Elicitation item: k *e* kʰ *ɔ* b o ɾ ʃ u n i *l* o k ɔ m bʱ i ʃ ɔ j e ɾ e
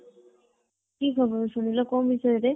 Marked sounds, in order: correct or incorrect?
incorrect: i, correct, correct

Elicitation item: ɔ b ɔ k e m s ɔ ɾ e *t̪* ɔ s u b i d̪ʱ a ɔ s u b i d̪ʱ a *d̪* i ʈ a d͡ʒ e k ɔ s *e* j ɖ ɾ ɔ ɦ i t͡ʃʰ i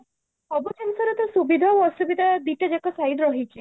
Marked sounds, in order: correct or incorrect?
correct, correct, incorrect: a

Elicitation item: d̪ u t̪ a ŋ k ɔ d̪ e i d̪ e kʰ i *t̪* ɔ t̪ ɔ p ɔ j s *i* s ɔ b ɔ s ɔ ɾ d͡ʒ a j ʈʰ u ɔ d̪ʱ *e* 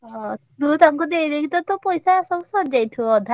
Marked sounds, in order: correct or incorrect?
correct, incorrect: a, incorrect: a

